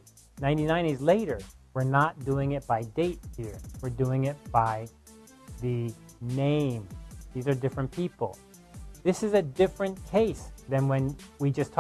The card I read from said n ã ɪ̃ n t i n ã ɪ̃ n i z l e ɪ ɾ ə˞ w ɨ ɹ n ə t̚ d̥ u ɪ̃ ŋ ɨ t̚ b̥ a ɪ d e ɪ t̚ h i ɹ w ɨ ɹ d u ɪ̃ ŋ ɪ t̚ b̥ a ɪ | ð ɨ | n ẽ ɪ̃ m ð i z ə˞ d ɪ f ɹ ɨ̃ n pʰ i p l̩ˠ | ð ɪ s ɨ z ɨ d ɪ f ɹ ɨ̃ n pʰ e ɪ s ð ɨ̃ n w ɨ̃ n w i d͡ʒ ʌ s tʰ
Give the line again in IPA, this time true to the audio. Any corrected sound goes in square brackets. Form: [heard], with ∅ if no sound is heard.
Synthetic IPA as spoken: n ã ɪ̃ n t i n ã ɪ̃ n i z l e ɪ ɾ ə˞ w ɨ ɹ n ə t̚ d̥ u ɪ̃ ŋ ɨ t̚ b̥ a ɪ d e ɪ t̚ h i ɹ w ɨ ɹ d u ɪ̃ ŋ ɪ t̚ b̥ a ɪ | ð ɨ | n ẽ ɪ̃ m ð i z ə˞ d ɪ f ɹ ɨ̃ n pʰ i p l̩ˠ | ð ɪ s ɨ z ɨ d ɪ f ɹ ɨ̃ n [kʰ] e ɪ s ð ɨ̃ n w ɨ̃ n w i d͡ʒ ʌ s tʰ